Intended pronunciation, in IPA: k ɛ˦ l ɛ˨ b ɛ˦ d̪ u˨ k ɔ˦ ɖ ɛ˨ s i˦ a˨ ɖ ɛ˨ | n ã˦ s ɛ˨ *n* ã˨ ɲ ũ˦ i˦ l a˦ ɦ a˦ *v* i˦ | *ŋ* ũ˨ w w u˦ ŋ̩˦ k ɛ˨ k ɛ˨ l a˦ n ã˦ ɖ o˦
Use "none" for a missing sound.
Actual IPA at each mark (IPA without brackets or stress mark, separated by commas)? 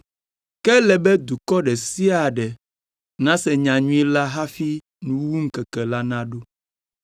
ɲ, f, n